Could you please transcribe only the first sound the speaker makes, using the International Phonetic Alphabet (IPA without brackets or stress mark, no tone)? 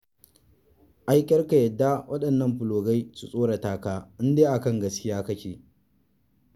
ʔ